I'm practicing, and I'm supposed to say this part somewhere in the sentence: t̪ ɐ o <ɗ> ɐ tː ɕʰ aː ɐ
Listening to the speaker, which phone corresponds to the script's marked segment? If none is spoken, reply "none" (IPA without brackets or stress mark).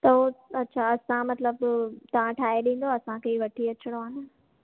none